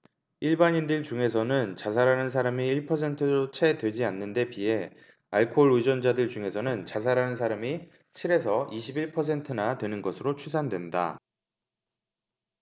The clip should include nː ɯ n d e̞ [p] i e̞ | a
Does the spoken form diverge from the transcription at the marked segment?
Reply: no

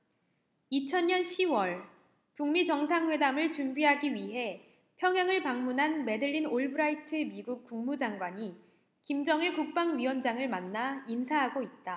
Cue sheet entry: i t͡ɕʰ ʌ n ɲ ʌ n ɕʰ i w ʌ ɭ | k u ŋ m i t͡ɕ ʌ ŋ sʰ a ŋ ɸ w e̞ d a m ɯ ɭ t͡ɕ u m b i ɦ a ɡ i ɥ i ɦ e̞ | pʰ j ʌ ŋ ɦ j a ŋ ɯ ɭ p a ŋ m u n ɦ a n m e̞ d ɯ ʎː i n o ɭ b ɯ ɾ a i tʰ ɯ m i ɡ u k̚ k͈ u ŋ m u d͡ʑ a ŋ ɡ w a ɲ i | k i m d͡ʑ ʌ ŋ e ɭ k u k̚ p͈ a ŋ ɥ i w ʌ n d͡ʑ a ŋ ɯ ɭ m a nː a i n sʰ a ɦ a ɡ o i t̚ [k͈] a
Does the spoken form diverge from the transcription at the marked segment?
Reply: yes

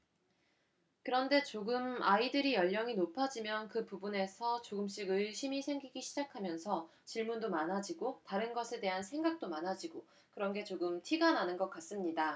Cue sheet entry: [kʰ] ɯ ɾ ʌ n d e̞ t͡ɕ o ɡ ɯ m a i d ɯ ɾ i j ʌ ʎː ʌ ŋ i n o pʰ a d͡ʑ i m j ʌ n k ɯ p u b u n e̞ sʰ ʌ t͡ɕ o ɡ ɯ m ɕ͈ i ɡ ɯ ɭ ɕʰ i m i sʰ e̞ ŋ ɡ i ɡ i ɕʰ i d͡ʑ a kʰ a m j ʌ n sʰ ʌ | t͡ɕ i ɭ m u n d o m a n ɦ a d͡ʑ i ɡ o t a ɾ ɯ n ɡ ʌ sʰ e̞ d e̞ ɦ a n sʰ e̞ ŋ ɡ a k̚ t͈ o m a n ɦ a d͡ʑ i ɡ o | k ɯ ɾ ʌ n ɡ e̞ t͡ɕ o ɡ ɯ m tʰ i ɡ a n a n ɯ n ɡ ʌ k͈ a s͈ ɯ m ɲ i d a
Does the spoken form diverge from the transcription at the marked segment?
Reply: yes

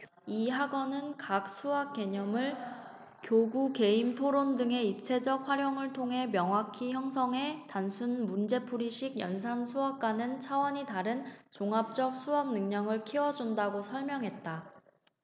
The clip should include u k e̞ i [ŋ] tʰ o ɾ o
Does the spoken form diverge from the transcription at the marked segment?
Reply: yes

